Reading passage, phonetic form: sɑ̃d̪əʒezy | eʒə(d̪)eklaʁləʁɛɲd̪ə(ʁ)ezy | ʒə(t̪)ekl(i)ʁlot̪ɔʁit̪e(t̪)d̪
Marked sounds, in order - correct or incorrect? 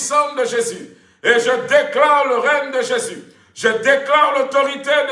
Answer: correct, incorrect: ʒ, incorrect: d̪, incorrect: a, incorrect: none

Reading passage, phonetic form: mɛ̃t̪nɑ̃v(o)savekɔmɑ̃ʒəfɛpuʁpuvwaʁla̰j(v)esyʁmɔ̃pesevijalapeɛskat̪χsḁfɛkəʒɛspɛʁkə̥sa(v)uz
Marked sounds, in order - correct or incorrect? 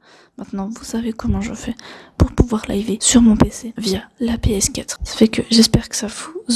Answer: incorrect: u, correct, correct

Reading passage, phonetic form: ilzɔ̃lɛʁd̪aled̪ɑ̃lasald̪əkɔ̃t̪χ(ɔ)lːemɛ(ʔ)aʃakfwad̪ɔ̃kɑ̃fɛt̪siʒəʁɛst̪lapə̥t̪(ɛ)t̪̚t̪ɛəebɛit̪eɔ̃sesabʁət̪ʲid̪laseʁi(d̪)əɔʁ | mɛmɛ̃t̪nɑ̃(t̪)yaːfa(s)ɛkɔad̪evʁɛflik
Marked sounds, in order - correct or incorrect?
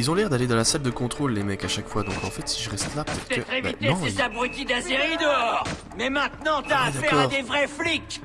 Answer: incorrect: o, incorrect: k, correct, correct, correct, incorrect: none

